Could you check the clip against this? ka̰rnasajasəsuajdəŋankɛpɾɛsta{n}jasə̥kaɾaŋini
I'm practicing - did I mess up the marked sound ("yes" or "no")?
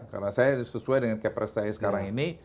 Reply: yes